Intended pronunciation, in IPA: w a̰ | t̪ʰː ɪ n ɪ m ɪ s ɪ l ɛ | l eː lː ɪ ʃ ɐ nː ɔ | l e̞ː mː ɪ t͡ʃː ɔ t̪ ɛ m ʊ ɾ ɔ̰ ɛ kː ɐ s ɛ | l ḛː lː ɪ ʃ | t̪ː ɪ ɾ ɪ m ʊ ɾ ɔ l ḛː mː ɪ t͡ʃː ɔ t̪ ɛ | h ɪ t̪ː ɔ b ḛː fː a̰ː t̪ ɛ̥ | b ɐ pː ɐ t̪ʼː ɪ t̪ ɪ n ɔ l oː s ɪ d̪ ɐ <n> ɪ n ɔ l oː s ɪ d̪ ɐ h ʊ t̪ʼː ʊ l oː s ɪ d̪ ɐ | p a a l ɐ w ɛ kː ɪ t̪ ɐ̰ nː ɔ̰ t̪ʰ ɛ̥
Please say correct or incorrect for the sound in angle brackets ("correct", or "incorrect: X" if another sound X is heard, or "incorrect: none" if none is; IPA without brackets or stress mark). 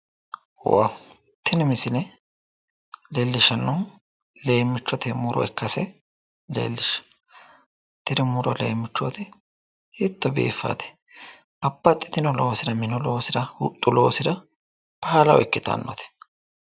incorrect: m